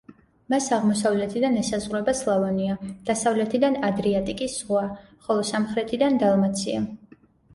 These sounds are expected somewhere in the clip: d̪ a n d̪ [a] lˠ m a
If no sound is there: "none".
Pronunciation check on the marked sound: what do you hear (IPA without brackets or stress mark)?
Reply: a